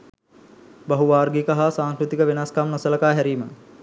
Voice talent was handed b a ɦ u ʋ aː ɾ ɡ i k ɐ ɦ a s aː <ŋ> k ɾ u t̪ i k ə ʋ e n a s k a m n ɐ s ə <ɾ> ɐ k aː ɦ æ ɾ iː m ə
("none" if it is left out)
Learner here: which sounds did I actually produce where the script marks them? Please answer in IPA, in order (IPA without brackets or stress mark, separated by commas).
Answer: ŋ, l